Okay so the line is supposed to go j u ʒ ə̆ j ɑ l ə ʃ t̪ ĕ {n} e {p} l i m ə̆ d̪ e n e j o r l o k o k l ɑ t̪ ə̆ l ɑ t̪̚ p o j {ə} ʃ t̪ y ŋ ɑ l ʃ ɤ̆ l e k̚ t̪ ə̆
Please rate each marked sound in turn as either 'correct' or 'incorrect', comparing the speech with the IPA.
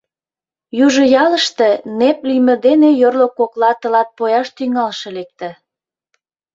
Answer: correct, correct, incorrect

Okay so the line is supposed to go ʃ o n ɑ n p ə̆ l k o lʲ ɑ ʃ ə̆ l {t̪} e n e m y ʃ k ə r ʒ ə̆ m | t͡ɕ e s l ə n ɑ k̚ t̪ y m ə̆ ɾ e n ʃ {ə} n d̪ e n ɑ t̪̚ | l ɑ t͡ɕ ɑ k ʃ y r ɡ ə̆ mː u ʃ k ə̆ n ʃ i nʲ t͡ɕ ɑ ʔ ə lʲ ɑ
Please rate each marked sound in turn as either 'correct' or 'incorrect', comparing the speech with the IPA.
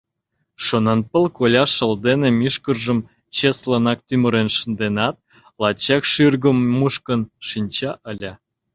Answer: incorrect, correct

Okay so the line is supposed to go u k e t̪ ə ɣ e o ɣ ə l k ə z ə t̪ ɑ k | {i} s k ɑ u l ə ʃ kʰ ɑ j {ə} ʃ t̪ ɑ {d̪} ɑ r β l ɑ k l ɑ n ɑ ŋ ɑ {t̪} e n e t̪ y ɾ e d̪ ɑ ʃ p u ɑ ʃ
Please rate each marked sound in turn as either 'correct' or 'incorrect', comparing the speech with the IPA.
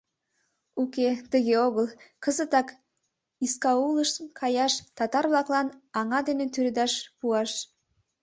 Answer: correct, incorrect, incorrect, incorrect

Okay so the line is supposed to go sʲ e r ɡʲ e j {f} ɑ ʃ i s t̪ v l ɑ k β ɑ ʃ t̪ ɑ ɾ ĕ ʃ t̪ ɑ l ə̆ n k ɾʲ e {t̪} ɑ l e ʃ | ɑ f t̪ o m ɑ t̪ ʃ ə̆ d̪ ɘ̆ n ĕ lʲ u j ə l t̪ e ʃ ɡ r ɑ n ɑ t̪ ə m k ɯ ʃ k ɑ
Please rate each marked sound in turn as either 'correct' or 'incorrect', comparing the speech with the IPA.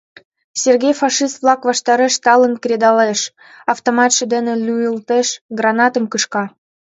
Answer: correct, incorrect

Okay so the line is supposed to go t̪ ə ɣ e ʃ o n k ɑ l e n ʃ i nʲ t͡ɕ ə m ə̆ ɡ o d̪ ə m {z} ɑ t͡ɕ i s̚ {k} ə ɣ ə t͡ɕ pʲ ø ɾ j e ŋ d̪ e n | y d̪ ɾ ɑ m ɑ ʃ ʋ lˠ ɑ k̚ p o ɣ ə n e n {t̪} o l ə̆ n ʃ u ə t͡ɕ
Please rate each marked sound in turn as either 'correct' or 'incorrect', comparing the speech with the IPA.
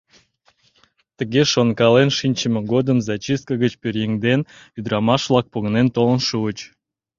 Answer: correct, correct, correct

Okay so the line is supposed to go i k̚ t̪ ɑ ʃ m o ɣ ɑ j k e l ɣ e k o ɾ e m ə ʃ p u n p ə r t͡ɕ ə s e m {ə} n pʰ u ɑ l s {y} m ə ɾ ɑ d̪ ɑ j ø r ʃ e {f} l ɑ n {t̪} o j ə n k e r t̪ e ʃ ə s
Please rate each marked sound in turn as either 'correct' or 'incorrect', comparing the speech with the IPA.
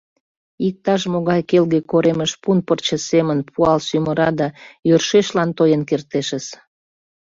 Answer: correct, correct, incorrect, correct

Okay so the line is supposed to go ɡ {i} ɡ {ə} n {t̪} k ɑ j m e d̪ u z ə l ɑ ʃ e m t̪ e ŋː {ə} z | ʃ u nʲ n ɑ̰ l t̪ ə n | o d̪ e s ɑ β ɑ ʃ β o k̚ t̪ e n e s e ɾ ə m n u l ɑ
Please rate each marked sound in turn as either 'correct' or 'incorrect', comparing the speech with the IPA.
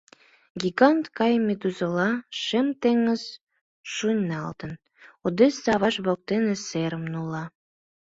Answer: correct, incorrect, correct, correct

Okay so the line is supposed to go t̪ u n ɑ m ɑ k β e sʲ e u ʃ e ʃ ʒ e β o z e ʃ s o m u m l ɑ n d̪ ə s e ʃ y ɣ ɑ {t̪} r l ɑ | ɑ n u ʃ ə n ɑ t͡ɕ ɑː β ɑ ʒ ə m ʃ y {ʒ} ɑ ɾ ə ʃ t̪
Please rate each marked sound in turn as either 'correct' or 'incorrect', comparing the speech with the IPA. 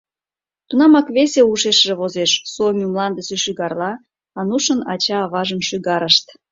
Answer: incorrect, incorrect

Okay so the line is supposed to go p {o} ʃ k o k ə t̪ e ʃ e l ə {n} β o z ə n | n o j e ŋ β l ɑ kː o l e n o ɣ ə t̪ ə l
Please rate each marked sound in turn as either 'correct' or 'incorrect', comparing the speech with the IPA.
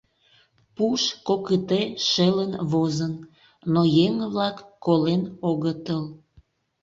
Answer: incorrect, correct

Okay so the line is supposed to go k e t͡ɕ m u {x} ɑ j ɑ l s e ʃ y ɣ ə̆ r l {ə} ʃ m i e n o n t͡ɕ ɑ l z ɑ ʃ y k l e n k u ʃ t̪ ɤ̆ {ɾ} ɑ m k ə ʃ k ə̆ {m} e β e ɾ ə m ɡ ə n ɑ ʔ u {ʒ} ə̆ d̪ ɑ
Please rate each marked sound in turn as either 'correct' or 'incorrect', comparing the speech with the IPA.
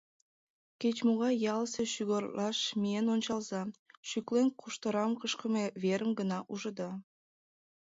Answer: incorrect, incorrect, correct, correct, correct

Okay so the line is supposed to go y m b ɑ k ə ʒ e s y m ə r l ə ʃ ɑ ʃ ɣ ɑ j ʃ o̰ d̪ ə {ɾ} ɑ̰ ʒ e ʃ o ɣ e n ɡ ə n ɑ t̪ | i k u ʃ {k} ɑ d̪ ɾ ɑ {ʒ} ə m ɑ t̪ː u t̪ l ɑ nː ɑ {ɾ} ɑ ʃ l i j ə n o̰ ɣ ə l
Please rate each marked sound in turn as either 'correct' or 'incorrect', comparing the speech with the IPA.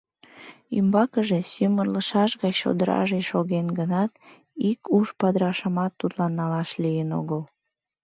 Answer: correct, incorrect, incorrect, incorrect

